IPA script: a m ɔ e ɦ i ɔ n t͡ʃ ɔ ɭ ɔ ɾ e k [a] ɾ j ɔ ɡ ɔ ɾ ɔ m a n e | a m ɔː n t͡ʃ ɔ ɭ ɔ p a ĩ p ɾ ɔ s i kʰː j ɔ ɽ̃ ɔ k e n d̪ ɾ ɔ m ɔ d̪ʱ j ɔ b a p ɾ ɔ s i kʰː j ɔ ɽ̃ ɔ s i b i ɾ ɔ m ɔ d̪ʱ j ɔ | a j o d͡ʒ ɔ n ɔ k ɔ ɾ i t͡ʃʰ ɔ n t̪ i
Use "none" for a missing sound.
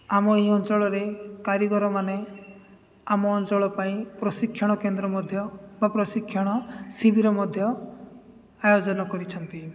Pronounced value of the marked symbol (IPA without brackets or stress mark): a